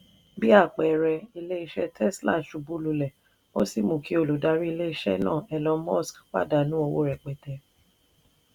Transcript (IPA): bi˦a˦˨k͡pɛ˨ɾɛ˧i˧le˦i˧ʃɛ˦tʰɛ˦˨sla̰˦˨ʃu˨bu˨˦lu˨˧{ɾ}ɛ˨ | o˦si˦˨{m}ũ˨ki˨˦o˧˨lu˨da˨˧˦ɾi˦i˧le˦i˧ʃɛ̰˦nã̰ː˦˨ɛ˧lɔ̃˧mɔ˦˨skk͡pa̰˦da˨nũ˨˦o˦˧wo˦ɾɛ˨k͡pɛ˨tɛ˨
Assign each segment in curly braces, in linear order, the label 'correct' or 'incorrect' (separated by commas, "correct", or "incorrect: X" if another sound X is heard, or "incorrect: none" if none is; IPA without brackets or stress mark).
incorrect: l, correct